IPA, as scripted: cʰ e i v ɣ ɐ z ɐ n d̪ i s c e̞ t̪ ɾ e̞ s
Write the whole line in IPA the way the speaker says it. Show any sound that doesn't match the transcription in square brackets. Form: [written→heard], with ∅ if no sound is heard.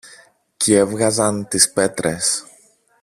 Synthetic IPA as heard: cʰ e [i→e] v ɣ ɐ z ɐ n [d̪→t̪] i s [c→p] e̞ t̪ ɾ e̞ s